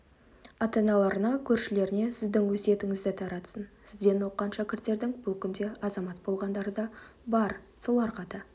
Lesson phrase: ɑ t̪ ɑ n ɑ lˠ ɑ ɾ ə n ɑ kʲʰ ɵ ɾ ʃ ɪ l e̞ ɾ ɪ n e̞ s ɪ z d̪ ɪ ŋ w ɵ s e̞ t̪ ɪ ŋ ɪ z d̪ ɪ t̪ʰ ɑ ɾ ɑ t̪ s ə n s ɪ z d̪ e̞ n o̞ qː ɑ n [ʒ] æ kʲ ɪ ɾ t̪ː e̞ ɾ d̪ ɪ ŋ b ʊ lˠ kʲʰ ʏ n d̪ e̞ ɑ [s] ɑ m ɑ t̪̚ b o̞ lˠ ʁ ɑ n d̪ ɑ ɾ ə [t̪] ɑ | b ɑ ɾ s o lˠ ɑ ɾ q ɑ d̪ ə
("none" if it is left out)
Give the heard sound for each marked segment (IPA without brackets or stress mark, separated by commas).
ʃ, z, d̪